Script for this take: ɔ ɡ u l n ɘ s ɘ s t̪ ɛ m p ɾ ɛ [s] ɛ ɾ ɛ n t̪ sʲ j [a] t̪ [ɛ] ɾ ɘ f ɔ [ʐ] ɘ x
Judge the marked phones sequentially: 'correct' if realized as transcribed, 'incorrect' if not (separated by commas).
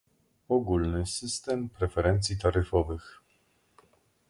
incorrect, incorrect, incorrect, incorrect